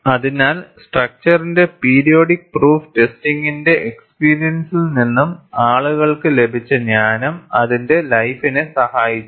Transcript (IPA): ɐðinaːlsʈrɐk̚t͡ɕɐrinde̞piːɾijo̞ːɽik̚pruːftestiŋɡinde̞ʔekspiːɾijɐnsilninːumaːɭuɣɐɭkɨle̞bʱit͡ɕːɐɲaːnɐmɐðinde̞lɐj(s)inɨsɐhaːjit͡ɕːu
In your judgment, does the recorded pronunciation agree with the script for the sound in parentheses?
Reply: no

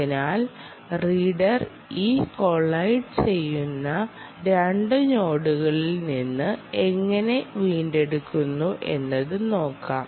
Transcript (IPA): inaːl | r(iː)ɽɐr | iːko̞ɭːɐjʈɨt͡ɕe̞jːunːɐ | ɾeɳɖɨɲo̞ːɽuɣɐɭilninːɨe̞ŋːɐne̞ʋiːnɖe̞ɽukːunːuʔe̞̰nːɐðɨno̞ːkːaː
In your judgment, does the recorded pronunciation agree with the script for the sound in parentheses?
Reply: yes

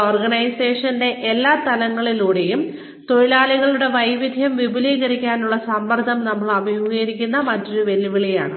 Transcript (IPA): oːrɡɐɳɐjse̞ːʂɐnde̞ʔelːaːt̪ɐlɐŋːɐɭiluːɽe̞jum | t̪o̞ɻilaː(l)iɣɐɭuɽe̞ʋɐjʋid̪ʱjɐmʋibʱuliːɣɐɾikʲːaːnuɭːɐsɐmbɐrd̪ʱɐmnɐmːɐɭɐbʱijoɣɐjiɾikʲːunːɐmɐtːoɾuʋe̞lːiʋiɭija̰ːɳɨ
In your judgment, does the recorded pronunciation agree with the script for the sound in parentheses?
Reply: yes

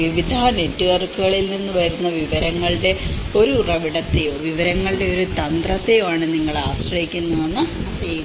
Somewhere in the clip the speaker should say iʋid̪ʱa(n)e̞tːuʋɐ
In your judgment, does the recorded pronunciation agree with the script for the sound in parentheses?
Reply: yes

